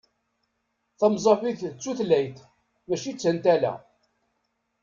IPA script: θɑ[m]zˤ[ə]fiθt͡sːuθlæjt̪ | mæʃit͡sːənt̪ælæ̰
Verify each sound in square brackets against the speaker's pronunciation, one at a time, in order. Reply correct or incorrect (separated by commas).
correct, incorrect